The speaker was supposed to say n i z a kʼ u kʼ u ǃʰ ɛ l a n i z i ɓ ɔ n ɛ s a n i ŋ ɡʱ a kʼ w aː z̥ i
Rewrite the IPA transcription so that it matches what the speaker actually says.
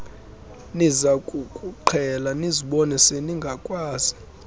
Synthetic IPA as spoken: n i z a kʼ u kʼ u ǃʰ ɛ l a n i z i ɓ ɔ n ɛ s e n i ŋ ɡʱ a kʼ w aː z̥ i